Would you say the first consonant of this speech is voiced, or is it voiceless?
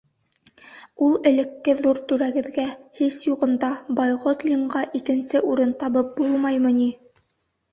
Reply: voiced